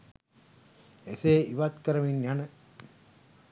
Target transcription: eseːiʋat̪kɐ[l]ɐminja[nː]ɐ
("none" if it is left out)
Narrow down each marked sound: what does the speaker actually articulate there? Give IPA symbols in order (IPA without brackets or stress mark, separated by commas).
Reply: ɾ, n